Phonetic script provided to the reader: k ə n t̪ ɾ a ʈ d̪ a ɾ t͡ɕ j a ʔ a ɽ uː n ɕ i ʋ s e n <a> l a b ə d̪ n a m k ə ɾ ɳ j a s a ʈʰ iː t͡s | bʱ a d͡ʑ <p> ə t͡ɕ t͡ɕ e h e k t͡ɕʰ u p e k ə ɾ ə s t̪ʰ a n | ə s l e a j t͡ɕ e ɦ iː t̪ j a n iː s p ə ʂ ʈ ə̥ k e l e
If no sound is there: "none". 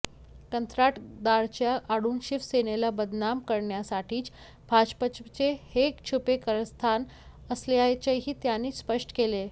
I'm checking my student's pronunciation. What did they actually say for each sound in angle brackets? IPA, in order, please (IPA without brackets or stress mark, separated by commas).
e, p